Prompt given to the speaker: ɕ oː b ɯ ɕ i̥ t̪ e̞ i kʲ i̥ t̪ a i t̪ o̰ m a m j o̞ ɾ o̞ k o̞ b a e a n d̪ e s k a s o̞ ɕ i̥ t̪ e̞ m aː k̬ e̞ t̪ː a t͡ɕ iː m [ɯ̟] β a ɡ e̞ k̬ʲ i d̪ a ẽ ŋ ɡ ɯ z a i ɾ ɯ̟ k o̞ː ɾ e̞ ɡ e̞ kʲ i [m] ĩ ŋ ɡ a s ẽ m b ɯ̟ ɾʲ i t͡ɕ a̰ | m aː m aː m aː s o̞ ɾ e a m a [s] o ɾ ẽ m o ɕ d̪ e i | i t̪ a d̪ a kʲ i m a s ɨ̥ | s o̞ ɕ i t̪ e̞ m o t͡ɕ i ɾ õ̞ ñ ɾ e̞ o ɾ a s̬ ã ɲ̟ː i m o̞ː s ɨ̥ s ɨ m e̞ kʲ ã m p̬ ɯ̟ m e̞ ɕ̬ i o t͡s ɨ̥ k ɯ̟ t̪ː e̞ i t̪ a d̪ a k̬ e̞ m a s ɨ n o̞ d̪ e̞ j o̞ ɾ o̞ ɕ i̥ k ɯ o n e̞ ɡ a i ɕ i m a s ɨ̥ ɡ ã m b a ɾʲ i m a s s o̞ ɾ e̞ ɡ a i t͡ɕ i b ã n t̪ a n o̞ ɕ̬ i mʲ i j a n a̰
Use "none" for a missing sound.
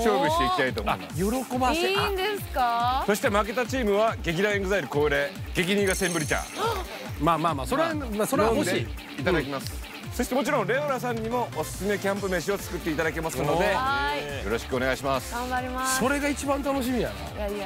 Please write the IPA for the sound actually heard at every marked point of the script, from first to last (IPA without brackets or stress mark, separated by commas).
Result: ɯ̟, ɲ, s